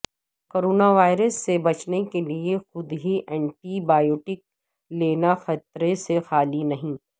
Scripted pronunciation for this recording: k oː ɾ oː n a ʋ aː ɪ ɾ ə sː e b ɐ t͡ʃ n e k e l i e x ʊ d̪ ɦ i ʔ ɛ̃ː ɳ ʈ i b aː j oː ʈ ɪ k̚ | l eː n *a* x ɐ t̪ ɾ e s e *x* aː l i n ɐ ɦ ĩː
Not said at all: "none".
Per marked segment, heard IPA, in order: a, x

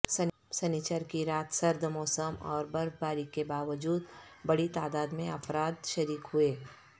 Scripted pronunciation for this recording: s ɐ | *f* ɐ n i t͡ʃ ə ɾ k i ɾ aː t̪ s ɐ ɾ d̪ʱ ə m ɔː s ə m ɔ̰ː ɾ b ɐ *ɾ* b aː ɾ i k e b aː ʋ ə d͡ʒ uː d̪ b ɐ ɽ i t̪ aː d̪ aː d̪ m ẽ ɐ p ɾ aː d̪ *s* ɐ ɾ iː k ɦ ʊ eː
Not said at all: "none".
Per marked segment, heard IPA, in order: s, ɾ, ʃ

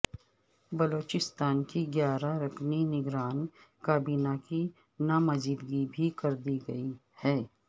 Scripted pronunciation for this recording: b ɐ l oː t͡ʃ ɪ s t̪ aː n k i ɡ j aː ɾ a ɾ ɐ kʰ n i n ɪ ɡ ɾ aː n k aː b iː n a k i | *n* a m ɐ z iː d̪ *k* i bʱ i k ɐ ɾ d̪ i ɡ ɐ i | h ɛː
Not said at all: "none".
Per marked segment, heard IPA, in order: n, ɡ

